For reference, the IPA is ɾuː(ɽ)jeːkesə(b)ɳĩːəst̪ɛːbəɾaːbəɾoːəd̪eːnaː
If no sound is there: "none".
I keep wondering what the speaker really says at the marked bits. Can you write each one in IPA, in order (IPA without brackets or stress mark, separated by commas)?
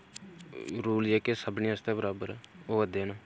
l, b